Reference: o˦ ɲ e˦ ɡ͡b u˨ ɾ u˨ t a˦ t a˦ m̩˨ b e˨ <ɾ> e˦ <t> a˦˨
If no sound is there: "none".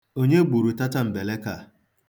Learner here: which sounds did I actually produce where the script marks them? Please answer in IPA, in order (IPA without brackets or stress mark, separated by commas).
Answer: l, k